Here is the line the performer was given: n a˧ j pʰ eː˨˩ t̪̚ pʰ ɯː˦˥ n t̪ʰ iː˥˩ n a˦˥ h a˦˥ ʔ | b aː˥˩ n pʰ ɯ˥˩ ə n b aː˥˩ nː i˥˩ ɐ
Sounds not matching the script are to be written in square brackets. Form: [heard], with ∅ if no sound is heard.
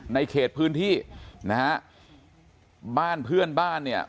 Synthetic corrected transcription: n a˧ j [kʰ] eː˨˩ t̪̚ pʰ ɯː˦˥ n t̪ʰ iː˥˩ n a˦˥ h a˦˥ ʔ | b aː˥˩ n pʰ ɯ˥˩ ə n b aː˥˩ nː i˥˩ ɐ